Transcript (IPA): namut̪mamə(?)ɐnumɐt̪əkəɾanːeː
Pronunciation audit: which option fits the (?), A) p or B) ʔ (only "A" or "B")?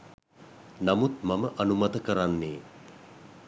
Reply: B